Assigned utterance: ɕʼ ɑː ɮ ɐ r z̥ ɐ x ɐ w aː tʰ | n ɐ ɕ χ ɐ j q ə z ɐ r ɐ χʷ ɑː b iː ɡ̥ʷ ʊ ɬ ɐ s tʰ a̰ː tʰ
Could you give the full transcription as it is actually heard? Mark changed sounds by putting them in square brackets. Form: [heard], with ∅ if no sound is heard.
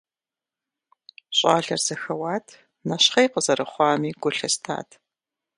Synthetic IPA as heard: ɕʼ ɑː ɮ ɐ r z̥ ɐ x ɐ w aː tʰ | n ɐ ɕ χ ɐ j q ə z ɐ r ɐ χʷ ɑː [m] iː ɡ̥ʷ ʊ ɬ ɐ s tʰ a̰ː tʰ